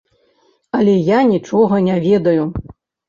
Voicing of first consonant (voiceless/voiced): voiced